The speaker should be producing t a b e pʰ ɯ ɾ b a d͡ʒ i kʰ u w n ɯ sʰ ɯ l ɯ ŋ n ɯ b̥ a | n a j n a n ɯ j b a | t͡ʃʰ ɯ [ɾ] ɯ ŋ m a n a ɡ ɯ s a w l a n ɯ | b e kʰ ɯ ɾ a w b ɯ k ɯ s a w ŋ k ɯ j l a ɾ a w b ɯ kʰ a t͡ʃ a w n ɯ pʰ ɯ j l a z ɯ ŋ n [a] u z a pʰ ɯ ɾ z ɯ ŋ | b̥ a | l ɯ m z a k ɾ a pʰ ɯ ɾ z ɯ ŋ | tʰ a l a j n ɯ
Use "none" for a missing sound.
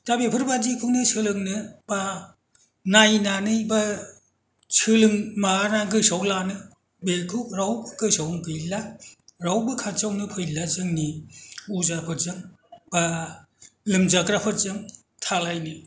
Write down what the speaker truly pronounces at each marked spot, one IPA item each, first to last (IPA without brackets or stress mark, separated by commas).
l, i